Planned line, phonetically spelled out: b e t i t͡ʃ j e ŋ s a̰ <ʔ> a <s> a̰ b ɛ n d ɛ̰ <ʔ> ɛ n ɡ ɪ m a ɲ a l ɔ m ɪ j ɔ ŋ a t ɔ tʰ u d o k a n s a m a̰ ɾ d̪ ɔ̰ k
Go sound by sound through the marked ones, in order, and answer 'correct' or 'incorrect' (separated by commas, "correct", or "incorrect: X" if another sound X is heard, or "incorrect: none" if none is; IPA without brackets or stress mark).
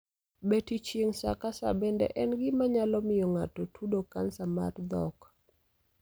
incorrect: k, correct, correct